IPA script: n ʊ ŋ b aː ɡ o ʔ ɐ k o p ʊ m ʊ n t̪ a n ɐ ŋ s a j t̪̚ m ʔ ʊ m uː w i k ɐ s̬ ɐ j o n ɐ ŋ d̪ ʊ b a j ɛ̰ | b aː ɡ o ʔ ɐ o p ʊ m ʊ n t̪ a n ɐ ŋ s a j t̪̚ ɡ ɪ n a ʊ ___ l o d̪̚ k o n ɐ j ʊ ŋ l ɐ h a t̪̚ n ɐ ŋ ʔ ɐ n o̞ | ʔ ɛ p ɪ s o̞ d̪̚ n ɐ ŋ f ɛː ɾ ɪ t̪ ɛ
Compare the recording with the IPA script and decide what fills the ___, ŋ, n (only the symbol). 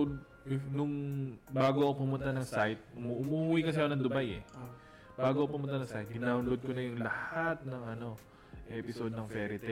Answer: n